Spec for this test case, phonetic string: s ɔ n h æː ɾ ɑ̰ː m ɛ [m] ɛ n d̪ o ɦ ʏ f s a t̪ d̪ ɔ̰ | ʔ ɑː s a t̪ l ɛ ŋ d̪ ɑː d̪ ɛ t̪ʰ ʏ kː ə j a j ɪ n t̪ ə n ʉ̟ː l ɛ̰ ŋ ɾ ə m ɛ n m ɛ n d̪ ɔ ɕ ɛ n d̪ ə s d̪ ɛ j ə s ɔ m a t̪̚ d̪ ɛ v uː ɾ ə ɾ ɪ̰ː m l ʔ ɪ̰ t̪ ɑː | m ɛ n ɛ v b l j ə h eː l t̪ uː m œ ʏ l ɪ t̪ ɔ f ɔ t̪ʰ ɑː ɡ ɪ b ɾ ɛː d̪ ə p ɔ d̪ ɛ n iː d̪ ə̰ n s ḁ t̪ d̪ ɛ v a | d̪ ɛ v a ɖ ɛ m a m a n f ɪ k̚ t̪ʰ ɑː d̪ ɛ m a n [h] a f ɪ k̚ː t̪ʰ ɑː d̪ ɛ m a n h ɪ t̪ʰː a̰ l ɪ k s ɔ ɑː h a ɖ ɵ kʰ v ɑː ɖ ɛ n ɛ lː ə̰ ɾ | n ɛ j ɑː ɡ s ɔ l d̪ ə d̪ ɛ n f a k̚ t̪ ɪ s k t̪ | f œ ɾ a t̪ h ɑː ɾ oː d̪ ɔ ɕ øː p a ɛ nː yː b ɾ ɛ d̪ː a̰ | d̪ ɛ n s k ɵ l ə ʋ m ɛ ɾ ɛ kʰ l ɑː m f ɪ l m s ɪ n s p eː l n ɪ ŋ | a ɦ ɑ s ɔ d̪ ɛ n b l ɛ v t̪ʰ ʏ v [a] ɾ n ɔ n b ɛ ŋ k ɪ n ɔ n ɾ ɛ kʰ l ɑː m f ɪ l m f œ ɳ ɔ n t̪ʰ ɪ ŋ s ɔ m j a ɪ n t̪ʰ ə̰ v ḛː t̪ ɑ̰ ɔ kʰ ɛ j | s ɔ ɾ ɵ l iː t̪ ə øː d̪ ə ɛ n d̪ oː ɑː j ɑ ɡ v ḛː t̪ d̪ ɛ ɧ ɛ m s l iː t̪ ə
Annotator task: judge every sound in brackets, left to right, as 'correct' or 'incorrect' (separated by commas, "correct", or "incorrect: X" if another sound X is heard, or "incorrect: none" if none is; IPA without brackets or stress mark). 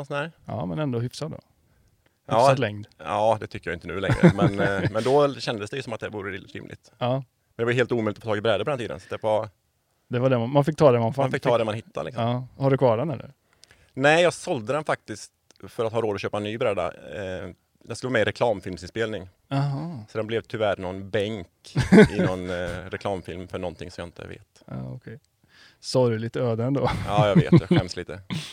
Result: incorrect: n, incorrect: f, incorrect: æ